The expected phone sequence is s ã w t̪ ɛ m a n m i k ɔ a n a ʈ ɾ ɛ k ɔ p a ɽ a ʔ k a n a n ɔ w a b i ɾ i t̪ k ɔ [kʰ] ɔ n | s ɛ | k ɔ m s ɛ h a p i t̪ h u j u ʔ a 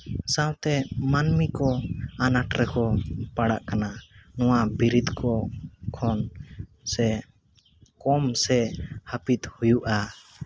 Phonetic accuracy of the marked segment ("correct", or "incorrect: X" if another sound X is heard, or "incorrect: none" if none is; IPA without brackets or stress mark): correct